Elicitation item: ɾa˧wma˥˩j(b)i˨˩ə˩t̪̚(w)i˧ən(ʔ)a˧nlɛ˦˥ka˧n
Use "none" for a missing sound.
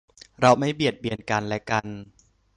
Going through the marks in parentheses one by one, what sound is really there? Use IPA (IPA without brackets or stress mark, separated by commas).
b, b, k